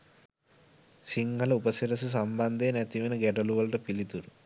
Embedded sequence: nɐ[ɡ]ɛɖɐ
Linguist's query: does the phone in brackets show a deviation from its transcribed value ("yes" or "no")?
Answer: no